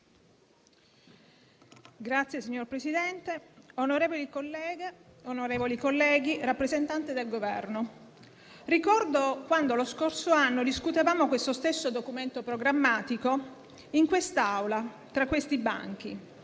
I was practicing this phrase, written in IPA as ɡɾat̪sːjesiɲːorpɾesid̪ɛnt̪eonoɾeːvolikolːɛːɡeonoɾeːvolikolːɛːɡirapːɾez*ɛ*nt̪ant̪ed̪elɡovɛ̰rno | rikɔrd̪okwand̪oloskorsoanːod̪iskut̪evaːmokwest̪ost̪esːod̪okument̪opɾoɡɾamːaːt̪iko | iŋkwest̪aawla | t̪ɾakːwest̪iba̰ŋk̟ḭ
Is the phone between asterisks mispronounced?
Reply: yes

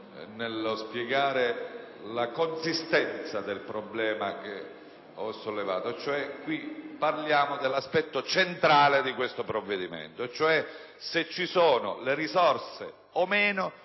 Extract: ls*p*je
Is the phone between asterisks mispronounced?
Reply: no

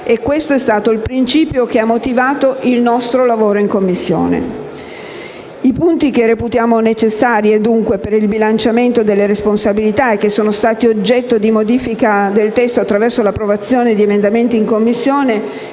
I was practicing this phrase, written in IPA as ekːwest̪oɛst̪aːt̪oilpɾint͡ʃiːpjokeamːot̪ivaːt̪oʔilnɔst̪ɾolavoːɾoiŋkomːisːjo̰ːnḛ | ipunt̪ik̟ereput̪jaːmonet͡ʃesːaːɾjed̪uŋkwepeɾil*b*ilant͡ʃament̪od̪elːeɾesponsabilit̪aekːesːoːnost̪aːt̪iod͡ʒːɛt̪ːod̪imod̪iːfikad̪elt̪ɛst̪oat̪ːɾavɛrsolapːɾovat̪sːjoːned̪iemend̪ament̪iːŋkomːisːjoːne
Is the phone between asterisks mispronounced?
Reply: no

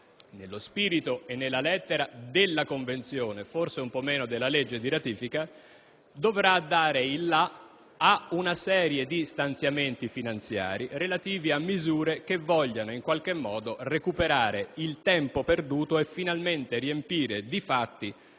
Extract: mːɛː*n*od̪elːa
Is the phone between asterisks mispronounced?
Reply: no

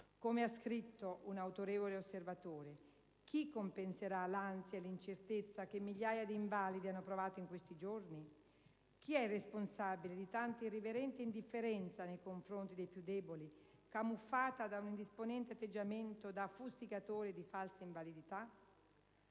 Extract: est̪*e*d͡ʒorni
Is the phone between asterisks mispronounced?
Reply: yes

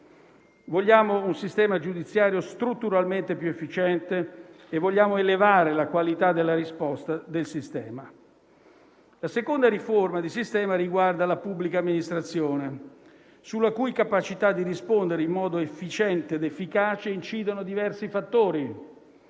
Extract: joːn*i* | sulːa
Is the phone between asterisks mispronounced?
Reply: yes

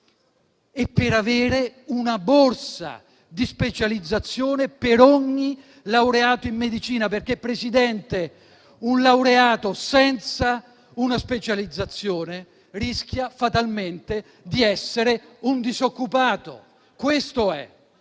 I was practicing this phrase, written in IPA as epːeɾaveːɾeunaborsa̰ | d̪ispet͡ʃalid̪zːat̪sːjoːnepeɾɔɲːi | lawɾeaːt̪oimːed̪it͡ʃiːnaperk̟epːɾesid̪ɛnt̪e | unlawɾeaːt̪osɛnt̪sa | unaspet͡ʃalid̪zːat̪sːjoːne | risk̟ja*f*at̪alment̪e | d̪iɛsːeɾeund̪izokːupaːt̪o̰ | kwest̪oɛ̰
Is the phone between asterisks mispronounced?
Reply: no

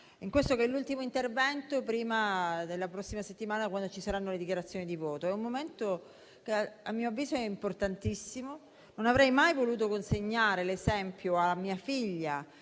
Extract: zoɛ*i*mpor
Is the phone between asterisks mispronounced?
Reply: no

